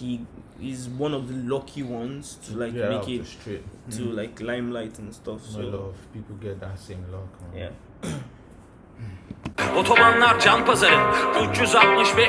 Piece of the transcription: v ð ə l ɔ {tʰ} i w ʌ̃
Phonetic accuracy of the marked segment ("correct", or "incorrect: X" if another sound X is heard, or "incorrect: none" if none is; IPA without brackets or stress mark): incorrect: kʰ